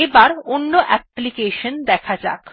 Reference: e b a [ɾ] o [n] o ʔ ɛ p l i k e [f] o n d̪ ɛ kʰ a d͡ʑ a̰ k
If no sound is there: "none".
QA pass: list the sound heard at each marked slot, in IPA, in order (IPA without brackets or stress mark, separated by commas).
ɾ, nː, ʃ